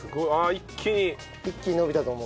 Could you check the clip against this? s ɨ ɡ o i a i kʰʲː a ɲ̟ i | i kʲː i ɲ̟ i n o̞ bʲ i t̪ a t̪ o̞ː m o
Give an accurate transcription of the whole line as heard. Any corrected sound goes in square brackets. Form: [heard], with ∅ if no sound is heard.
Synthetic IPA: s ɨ ɡ o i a i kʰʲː [i] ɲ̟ i | i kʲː i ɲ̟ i n o̞ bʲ i t̪ a t̪ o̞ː m o